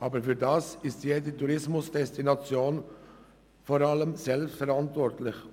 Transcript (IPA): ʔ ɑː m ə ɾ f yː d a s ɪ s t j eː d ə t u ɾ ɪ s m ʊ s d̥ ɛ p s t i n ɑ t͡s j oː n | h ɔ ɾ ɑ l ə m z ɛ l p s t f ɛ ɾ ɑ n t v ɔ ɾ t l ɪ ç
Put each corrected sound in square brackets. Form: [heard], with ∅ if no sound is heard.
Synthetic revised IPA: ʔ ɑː [b] ə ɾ f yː d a s ɪ s t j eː d ə t u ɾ ɪ s m ʊ s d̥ ɛ [∅] s t i n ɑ t͡s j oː n | [f] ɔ ɾ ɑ l ə m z ɛ l p s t f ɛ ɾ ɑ n t v ɔ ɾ t l ɪ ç